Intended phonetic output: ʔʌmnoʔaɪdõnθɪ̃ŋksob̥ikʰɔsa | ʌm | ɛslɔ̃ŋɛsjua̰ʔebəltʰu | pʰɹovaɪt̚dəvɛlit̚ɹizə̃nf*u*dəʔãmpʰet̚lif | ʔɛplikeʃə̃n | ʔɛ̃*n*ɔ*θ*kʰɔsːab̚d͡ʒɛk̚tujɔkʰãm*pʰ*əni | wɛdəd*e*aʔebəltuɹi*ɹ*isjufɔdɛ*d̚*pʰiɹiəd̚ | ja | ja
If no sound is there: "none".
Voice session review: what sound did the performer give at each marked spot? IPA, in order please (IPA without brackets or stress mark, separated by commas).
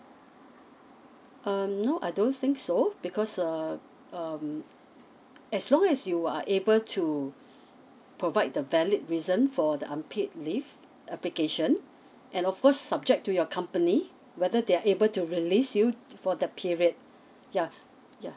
ɔ, n, f, p, e, l, t̚